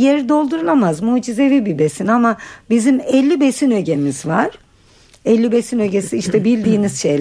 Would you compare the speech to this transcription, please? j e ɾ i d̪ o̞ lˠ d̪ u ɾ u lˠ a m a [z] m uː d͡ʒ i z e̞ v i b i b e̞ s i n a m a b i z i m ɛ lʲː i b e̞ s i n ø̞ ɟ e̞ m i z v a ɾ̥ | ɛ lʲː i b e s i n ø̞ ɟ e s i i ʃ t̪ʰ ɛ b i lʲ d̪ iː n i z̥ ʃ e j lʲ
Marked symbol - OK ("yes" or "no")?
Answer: yes